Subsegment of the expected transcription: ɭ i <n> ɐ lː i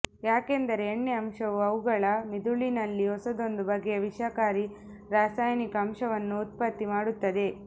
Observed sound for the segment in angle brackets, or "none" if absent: n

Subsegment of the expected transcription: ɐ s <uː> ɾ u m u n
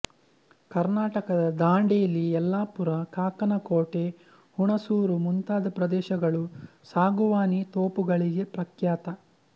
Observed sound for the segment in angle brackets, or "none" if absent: uː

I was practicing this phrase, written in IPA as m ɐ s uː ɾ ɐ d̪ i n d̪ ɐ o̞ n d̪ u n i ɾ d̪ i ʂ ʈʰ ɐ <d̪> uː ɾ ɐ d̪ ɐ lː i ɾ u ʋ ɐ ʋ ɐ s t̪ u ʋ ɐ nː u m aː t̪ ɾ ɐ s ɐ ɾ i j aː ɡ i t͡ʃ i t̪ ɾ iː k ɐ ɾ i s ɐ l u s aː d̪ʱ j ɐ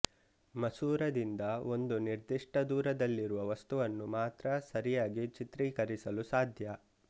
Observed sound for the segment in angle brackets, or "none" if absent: d̪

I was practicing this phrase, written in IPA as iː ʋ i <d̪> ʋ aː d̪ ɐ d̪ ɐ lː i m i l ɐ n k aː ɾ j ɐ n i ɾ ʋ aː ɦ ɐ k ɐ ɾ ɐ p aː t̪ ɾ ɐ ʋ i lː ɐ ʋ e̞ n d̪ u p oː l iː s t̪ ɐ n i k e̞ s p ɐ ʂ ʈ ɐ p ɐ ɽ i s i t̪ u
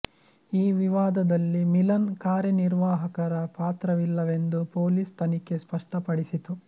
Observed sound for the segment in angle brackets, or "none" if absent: none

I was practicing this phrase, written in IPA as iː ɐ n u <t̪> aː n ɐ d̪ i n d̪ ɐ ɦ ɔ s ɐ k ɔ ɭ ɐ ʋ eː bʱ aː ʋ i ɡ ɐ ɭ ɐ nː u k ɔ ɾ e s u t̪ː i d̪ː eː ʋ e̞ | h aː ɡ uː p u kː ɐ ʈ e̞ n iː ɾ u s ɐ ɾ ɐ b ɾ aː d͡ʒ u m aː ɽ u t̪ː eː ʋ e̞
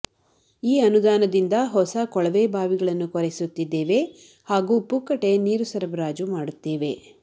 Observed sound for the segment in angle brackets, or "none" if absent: d̪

